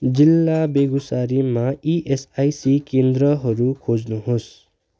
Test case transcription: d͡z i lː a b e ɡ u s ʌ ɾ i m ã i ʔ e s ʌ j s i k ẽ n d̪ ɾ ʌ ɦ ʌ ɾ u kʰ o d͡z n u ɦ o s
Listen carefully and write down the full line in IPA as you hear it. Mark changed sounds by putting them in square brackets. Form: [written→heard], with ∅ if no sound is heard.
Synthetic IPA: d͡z i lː a b e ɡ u s [ʌ→a] ɾ i m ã i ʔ e s [ʌ→a] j s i k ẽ n d̪ ɾ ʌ ɦ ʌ ɾ u kʰ o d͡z n u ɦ o s